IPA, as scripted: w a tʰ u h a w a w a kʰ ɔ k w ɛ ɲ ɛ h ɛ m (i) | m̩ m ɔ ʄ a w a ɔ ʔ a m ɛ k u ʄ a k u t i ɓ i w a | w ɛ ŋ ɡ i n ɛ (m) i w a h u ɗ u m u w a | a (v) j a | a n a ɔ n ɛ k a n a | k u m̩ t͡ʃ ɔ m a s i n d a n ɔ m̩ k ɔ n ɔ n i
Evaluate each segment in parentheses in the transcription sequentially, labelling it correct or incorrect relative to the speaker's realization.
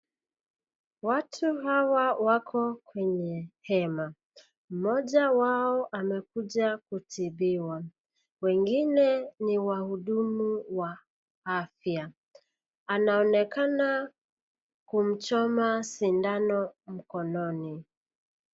incorrect, incorrect, incorrect

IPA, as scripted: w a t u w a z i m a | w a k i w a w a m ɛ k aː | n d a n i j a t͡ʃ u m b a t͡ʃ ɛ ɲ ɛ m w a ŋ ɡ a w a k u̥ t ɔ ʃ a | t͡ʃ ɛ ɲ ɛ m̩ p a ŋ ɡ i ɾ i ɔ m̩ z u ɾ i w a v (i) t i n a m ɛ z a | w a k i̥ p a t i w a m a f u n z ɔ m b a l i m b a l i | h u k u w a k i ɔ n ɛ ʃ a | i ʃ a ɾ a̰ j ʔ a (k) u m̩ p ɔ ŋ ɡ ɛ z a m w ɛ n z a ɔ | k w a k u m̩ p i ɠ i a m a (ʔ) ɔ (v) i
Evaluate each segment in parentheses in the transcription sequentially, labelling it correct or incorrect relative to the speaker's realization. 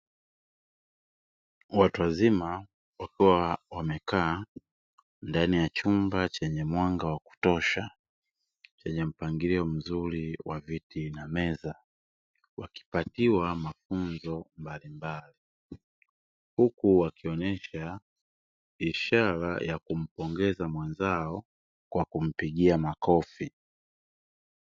correct, correct, incorrect, incorrect

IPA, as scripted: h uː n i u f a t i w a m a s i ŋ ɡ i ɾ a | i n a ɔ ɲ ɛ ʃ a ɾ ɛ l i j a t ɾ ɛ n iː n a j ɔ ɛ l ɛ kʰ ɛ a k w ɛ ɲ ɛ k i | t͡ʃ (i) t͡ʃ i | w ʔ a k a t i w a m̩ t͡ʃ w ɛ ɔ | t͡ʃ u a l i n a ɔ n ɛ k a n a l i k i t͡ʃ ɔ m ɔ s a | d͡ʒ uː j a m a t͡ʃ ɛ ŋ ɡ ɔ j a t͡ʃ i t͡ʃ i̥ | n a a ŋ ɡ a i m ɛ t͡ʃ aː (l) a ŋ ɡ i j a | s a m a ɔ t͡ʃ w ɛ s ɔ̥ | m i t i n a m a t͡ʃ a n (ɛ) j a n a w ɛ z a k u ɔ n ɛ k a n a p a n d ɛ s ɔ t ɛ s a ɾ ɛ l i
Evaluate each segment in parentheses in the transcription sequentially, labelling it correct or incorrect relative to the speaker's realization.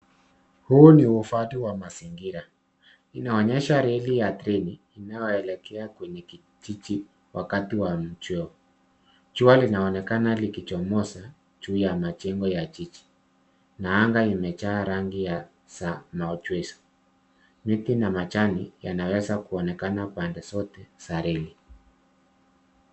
correct, incorrect, incorrect

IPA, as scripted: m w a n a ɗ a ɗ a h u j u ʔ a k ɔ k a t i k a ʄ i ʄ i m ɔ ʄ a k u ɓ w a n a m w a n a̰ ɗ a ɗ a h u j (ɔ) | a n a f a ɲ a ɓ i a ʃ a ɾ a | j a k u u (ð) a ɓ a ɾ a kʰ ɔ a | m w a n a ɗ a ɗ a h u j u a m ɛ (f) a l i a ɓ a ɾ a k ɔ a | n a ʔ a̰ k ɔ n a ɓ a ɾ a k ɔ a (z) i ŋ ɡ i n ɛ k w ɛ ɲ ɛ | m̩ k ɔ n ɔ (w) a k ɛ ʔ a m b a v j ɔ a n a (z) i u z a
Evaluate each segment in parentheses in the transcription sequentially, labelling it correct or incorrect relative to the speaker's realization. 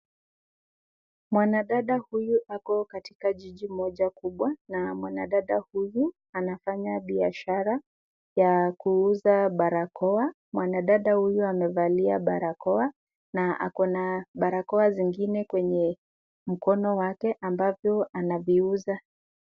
incorrect, incorrect, incorrect, correct, correct, incorrect

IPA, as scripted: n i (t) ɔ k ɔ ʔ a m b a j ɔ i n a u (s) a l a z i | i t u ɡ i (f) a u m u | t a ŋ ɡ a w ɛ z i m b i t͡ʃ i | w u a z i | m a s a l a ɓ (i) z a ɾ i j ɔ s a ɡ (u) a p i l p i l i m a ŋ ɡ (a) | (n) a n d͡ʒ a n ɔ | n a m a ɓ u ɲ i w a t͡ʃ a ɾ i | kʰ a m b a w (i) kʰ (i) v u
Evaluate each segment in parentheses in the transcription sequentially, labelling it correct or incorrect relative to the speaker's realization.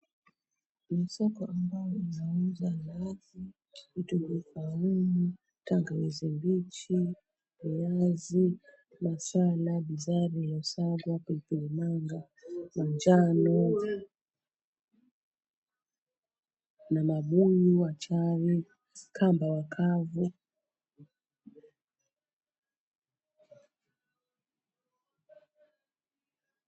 incorrect, incorrect, correct, correct, incorrect, correct, incorrect, incorrect, incorrect

